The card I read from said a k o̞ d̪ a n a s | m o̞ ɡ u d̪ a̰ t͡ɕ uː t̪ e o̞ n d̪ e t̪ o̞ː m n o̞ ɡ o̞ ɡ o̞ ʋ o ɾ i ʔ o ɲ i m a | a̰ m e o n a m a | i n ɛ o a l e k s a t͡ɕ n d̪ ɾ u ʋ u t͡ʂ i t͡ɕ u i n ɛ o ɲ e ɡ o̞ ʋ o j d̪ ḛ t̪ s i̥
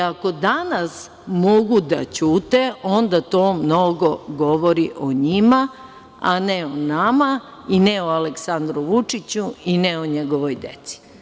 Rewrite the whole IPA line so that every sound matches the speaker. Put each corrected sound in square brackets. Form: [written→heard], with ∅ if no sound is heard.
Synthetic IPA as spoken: a k o̞ d̪ a n a s | m o̞ ɡ u d̪ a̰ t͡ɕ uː t̪ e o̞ n d̪ [e→a] t̪ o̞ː m n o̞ ɡ o̞ ɡ o̞ ʋ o ɾ i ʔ o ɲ i m a | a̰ [m→n] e o n a m a | i n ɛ o a l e k s a [t͡ɕ→∅] n d̪ ɾ u ʋ u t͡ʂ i t͡ɕ u i n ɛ o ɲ e ɡ o̞ ʋ o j d̪ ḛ t̪ s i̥